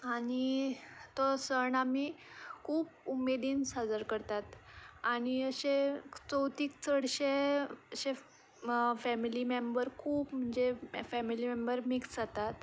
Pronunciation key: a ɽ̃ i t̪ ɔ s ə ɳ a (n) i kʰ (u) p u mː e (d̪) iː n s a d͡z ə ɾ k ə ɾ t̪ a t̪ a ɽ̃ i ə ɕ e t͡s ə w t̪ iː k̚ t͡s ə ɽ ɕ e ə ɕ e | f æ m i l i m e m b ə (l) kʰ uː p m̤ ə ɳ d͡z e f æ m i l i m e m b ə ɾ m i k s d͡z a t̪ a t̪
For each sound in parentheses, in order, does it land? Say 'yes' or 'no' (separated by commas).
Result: no, no, yes, no